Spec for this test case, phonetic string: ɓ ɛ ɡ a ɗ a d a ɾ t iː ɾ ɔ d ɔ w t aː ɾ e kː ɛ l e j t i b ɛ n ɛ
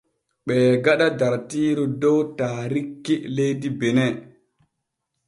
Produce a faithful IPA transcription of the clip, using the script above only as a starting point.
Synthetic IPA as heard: ɓ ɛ ɡ a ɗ a d a ɾ t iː ɾ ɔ d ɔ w t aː ɾ i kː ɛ l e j d i b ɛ n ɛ